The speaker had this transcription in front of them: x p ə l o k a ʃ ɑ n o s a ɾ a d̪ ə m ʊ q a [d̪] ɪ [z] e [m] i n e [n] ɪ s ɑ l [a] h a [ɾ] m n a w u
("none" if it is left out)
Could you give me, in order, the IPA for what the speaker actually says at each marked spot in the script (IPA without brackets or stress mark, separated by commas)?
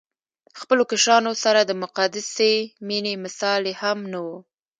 d̪, s, m, m, e, none